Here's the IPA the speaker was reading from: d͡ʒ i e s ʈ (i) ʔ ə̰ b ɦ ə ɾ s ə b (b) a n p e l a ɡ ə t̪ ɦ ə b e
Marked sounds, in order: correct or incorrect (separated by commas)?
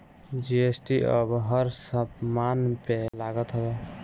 correct, incorrect